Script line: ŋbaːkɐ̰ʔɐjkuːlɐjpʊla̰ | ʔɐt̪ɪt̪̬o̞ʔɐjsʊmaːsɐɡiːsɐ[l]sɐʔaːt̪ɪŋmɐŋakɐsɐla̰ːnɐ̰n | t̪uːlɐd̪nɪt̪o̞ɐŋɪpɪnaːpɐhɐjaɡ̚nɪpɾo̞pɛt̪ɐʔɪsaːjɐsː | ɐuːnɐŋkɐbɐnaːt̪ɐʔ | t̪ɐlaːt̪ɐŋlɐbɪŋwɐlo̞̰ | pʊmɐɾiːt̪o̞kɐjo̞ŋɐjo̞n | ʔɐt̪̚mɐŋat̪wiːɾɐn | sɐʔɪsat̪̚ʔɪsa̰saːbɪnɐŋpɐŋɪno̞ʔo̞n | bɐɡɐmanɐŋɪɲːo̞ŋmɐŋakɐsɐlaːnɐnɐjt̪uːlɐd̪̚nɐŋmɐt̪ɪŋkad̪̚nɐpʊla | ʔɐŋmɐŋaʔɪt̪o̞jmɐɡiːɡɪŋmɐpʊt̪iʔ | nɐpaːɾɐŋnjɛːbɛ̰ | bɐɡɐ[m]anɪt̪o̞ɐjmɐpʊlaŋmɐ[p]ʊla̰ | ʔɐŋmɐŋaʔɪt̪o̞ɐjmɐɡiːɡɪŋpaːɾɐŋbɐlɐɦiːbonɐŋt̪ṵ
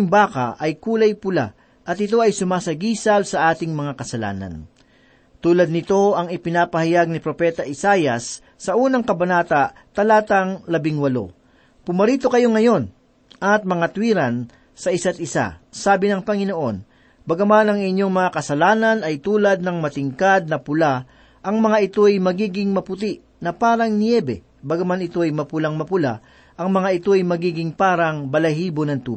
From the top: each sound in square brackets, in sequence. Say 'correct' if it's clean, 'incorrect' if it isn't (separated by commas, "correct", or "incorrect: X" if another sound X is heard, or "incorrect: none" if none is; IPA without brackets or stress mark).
correct, correct, correct